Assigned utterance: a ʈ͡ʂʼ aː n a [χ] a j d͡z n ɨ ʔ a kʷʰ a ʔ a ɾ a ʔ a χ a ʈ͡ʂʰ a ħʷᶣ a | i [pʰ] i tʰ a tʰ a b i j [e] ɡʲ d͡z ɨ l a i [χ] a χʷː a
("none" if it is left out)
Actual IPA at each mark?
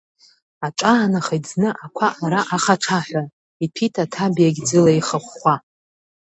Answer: χ, pʰ, a, χ

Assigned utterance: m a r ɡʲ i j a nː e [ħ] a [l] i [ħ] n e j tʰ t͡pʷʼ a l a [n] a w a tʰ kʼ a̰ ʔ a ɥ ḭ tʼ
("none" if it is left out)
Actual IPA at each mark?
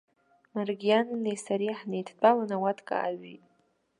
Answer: s, ɾ, ħ, n

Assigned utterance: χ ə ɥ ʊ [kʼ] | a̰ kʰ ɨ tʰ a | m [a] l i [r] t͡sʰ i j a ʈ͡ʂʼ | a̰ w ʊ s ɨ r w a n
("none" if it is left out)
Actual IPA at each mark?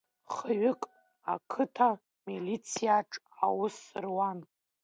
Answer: kʼ, i, none

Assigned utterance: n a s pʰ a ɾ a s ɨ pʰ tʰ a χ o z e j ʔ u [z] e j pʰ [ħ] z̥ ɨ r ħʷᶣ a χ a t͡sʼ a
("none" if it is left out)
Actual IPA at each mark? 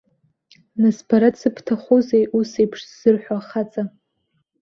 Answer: s, ʂ

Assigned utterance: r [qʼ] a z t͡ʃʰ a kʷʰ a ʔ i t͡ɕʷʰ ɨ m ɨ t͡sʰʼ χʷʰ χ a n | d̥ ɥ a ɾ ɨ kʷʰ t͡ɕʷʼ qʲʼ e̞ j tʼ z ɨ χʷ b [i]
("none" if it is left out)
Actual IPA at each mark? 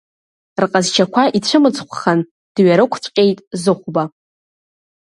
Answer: qʼ, a

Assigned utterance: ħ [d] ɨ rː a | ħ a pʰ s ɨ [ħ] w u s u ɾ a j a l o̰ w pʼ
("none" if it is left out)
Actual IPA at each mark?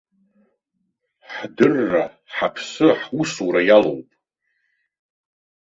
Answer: d, ħ

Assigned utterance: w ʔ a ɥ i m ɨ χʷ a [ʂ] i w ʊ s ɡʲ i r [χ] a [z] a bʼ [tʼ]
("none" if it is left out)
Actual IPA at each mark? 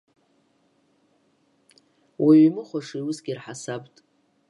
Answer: ʂ, ħ, s, tʼ

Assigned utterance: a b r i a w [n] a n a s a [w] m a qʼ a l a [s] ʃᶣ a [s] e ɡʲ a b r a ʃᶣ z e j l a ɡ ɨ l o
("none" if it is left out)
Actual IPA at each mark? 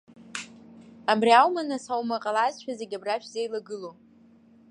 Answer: m, w, z, z

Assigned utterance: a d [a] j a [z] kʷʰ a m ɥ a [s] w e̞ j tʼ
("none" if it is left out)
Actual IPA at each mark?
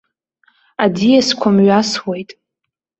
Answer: i, s, s

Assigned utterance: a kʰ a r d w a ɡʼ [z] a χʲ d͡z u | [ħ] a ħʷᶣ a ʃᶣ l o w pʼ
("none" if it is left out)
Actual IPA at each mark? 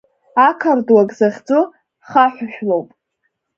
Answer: z, χ

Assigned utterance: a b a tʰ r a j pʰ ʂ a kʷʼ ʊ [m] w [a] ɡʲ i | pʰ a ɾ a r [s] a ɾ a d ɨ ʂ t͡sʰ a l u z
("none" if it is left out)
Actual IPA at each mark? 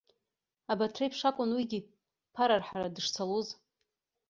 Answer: n, i, ħ

